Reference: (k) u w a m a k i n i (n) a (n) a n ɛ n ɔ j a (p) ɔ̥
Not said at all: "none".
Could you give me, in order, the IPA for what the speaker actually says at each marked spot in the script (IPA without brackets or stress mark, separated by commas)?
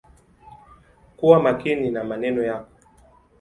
k, n, m, k